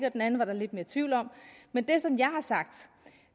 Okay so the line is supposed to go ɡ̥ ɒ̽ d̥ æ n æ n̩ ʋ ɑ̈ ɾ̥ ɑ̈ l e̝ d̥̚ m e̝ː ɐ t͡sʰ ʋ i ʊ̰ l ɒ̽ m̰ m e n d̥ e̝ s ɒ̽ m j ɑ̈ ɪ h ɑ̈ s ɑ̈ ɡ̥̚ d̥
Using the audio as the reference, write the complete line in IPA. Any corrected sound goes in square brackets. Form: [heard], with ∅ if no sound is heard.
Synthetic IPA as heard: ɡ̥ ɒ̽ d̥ [e] n æ n̩ ʋ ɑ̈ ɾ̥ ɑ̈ l e̝ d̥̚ m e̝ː ɐ t͡sʰ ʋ i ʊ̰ l ɒ̽ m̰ m e n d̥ e̝ s ɒ̽ m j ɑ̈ ɪ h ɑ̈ s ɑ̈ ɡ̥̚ d̥